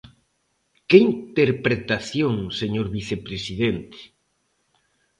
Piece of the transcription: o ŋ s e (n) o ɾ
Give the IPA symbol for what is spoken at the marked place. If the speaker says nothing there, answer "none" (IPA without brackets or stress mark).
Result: ɲ